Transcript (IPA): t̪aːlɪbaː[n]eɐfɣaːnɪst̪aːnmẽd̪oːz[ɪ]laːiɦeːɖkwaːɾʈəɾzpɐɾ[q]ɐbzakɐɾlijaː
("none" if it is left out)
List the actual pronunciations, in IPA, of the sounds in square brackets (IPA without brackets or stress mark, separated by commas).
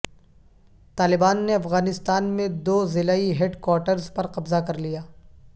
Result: nː, ɪ, q